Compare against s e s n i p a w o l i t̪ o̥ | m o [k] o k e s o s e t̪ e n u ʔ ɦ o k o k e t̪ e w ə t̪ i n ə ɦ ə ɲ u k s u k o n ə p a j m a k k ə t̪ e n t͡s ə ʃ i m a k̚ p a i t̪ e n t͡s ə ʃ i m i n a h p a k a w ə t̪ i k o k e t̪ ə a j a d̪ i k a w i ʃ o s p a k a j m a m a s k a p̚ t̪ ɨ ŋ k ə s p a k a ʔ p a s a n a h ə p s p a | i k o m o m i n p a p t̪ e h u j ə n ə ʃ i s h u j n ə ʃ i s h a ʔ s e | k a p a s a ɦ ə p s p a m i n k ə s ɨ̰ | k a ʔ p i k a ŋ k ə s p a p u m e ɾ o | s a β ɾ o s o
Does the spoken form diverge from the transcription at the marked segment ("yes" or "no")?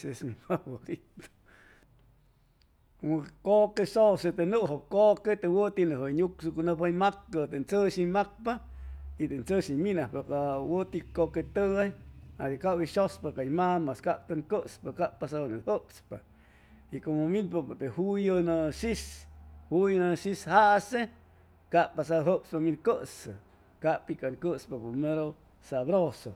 no